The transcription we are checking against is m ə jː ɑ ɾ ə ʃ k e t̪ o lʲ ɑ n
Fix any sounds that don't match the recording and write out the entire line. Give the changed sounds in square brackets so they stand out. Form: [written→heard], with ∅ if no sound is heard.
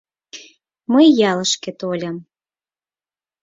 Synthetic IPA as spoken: m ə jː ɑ [ɾ→l] ə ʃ k e t̪ o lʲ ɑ [n→m]